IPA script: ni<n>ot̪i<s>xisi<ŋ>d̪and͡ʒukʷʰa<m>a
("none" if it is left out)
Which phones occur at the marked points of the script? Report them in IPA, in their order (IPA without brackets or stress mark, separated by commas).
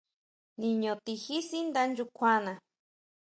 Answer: ɲ, none, n, n